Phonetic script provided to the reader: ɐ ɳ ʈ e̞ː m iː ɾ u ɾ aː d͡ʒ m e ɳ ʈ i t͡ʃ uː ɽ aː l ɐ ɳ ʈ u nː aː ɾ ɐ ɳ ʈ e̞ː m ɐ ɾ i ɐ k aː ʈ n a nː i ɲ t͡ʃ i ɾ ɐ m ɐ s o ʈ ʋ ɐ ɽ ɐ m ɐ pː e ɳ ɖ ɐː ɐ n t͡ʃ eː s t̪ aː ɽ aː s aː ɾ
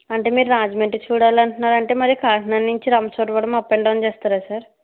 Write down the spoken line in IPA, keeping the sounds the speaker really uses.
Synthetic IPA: ɐ ɳ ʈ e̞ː m iː ɾ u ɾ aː d͡ʒ m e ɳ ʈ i t͡ʃ uː ɽ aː l ɐ ɳ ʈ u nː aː ɾ ɐ ɳ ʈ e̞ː m ɐ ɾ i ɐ k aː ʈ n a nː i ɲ t͡ʃ i ɾ ɐ m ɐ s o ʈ ʋ ɐ ɽ ɐ m ɐ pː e ɳ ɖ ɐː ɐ n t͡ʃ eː s t̪ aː ɾ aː s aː ɾ

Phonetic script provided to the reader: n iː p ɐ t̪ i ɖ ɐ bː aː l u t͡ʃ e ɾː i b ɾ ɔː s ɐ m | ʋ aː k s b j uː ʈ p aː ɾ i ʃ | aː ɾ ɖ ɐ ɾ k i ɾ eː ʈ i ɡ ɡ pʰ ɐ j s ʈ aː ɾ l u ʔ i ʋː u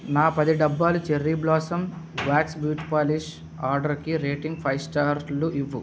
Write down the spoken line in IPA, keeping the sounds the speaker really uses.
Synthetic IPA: n aː p ɐ d̪ i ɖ ɐ bː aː l u t͡ʃ e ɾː i b l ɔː s ɐ m | ʋ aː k s b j uː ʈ p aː l i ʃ | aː ɾ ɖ ɐ ɾ k i ɾ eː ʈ i ŋ ɡ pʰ ɐ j s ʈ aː ɾ l u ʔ i ʋː u

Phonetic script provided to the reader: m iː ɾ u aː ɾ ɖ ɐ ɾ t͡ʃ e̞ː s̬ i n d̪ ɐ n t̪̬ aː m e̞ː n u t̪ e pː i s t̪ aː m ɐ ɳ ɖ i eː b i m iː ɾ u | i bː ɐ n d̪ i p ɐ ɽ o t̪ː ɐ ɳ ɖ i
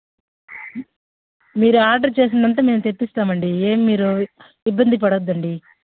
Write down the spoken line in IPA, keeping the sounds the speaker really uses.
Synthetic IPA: m iː ɾ u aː ɾ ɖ ɐ ɾ t͡ʃ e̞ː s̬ i n d̪ ɐ n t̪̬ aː m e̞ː m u t̪ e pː i s t̪ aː m ɐ ɳ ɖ i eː m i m iː ɾ u | i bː ɐ n d̪ i p ɐ ɽ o d̪ː ɐ ɳ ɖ i

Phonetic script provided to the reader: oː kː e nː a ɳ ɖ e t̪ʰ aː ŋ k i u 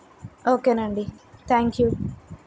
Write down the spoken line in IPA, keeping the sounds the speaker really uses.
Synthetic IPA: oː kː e n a ɳ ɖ i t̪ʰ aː ŋ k j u

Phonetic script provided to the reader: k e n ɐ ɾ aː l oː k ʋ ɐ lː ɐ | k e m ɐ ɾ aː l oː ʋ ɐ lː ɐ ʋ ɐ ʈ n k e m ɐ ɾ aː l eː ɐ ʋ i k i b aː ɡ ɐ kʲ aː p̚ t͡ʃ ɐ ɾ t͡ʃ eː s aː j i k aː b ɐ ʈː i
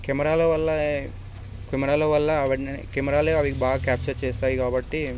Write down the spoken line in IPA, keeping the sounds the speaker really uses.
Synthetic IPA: k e m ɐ ɾ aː l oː ʋ ɐ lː ɐ | k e m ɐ ɾ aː l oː ʋ ɐ lː ɐ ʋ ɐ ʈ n k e m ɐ ɾ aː l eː ɐ ʋ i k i b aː ɡ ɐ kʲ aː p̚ t͡ʃ ɐ ɾ t͡ʃ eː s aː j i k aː b ɐ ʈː i

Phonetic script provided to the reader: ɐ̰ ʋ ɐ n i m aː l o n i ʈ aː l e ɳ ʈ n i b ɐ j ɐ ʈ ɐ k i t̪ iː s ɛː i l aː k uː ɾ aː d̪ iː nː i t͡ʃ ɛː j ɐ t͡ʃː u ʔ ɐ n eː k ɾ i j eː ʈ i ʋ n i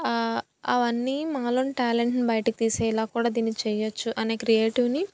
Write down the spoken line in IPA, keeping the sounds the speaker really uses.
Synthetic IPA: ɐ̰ ʋ ɐ nː i m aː l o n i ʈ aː l e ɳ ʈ n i b ɐ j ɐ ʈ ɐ k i t̪ iː s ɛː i l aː k uː ɽ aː d̪ iː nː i t͡ʃ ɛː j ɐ t͡ʃː u ʔ ɐ n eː k ɾ i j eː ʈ i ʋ n i

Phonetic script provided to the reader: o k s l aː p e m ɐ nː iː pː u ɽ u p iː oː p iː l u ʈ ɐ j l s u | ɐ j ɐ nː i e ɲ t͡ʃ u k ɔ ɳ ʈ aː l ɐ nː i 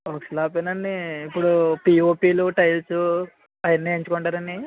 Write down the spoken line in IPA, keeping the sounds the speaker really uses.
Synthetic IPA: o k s l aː p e n ɐ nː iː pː u ɽ u p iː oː p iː l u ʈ ɐ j l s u | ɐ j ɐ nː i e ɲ t͡ʃ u k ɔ ɳ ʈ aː ɾ ɐ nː i

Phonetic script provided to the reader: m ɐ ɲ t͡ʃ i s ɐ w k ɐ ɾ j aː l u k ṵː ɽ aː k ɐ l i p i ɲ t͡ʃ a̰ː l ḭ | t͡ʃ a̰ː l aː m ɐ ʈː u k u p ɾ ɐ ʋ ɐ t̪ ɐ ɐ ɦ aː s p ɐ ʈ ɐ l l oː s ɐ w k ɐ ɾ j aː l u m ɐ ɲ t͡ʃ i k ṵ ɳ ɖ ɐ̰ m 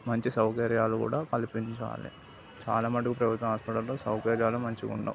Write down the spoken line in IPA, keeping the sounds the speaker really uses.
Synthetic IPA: m ɐ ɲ t͡ʃ i s ɐ w k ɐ ɾ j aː l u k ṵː ɽ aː k ɐ l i p i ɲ t͡ʃ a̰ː l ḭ | t͡ʃ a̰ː l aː m ɐ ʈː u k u p ɾ ɐ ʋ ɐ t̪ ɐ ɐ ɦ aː s p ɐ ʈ ɐ l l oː s ɐ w k ɐ ɾ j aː l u m ɐ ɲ t͡ʃ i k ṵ ɳ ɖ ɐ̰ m

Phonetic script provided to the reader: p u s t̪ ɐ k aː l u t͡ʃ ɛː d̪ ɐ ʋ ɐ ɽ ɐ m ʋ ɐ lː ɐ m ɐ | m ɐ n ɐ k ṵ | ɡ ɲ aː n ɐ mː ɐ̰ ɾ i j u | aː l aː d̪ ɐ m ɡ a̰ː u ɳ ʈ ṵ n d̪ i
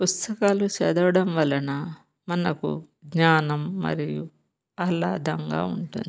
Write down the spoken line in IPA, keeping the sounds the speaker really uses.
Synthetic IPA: p u s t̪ ɐ k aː l u t͡ʃ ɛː d̪ ɐ ʋ ɐ ɽ ɐ m ʋ ɐ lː ɐ n ɐ | m ɐ n ɐ k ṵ | ɡ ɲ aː n ɐ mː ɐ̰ ɾ i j u | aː l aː d̪ ɐ ŋ ɡ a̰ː u ɳ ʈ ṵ n d̪ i

